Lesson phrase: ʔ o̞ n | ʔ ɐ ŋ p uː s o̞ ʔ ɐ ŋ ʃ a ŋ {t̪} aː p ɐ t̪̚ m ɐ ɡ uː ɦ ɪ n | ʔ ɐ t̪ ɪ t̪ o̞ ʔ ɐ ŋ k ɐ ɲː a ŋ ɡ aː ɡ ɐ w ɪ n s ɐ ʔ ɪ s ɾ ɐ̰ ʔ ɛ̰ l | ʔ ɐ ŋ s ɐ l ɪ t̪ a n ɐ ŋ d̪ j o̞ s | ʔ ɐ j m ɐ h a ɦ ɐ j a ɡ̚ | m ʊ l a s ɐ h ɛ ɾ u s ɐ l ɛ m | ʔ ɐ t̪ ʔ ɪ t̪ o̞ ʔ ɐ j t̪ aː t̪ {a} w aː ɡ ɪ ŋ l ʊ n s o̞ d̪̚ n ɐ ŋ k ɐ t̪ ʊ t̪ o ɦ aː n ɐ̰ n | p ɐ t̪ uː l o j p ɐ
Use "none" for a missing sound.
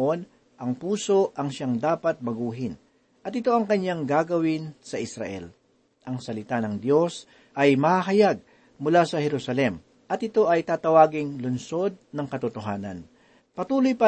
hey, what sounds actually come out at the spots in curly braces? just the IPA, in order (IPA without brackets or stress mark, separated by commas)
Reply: d̪, ɐ